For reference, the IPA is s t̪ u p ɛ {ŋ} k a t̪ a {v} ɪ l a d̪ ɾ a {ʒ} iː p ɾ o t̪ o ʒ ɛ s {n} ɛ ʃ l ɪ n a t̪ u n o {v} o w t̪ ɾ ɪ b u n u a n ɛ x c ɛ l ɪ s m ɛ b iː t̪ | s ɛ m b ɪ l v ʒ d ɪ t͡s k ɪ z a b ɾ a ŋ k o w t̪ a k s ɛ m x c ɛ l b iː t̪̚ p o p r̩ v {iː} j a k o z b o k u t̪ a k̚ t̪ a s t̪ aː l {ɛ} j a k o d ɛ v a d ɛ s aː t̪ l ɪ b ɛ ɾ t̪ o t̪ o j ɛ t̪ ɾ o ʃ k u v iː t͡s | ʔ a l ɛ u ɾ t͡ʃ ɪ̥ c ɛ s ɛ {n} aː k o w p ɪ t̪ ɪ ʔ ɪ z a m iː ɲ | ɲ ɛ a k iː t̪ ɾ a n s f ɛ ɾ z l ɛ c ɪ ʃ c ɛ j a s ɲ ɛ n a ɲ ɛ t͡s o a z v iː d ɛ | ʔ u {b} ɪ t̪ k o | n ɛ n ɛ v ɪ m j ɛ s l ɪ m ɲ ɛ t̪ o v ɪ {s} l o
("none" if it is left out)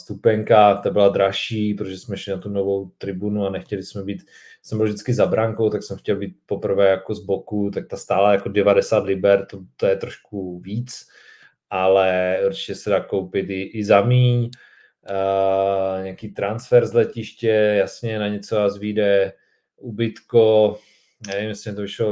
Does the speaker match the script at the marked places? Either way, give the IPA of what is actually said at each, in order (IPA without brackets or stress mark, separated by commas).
ŋ, b, ʃ, m, v, ɛː, a, d, b, ʃ